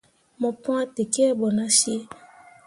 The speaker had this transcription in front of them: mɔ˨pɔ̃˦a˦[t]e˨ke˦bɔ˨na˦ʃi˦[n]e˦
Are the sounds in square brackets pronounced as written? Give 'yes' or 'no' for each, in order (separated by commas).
yes, no